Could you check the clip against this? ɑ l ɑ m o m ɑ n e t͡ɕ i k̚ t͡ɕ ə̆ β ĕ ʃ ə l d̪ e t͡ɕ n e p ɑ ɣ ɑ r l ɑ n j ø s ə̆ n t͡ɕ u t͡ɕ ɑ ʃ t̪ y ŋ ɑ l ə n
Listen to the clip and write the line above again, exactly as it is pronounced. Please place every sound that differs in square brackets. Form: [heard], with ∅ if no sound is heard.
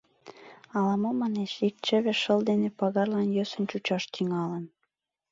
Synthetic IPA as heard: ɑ l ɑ m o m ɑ n e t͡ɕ i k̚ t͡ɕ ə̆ β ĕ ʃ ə l d̪ e [∅] n e p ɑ ɣ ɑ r l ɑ n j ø s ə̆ n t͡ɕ u t͡ɕ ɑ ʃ t̪ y ŋ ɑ l ə n